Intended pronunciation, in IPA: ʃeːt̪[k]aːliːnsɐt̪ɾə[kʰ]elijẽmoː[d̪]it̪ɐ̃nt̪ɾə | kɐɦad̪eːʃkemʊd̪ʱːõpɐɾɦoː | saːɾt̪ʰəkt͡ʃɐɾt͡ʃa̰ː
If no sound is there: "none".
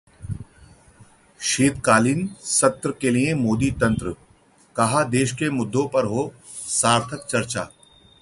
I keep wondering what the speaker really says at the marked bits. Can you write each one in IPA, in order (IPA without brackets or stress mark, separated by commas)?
k, k, d̪